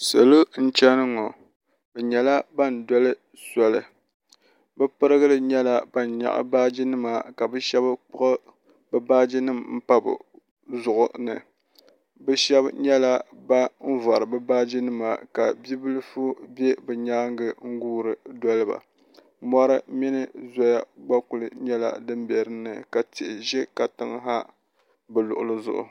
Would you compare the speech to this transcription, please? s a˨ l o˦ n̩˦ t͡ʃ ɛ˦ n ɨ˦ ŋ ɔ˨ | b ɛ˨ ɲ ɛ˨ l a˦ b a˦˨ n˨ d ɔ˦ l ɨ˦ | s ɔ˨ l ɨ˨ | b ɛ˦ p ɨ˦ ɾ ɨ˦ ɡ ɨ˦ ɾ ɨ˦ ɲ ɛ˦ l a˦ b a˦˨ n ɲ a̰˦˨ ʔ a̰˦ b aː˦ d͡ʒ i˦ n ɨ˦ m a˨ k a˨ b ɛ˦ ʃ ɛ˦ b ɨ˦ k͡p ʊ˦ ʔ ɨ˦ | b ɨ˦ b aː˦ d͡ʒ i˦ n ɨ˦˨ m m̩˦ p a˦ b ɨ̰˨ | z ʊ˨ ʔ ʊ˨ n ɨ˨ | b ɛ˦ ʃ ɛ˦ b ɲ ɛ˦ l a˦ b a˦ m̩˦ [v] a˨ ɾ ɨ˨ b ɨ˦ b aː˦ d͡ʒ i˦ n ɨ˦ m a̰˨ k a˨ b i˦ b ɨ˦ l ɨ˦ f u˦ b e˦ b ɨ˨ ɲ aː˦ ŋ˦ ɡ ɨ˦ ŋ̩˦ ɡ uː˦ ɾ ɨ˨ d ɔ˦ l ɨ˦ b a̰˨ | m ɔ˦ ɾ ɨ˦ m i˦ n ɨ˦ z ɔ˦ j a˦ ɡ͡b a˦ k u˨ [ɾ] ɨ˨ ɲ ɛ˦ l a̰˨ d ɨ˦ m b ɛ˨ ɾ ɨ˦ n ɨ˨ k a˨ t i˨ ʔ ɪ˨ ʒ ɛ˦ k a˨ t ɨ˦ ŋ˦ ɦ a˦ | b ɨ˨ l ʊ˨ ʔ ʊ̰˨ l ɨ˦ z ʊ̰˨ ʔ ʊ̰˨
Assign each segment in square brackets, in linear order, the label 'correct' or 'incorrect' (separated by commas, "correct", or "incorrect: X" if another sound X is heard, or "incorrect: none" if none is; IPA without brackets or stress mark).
correct, incorrect: l